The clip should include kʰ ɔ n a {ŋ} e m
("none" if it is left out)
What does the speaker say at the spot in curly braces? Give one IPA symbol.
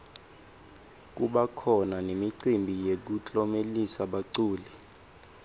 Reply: n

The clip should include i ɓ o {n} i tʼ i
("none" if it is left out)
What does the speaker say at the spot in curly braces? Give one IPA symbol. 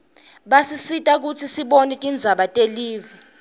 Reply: n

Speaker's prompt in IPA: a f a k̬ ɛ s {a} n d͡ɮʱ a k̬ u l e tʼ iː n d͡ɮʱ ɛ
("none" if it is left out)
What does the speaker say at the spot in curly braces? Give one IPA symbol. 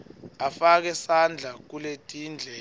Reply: a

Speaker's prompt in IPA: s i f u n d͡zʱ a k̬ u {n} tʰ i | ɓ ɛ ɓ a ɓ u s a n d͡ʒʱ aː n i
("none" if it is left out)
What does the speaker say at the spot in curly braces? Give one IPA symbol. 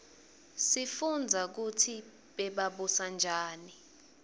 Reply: none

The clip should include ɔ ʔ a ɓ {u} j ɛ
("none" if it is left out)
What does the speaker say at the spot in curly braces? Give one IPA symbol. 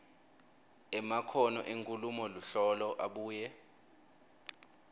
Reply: uː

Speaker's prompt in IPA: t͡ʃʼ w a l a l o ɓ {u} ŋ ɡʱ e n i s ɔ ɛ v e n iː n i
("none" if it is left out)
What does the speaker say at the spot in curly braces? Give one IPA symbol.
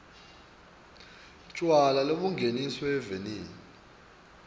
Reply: u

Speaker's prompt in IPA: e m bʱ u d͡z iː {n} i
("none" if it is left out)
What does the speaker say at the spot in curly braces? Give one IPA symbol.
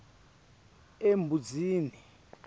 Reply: n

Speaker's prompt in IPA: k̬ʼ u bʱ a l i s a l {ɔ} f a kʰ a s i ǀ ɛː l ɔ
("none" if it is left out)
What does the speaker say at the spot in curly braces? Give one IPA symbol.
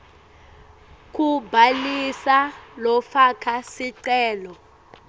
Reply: ɔ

